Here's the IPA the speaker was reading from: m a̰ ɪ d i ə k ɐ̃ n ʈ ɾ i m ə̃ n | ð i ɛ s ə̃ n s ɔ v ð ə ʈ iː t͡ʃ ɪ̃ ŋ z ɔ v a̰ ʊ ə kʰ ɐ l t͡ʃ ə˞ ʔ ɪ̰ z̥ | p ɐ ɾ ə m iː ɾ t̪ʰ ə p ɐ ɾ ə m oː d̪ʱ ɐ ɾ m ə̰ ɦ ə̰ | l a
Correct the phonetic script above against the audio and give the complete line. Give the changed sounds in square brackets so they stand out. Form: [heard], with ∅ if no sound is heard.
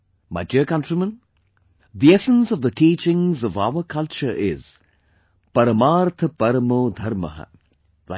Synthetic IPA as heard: m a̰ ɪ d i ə k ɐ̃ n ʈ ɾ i m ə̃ n | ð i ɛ s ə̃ n s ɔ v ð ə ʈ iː t͡ʃ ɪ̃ ŋ z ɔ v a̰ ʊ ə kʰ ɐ l t͡ʃ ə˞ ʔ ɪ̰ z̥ | p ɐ ɾ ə m [aː] ɾ t̪ʰ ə p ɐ ɾ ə m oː d̪ʱ ɐ ɾ m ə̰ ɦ ə̰ | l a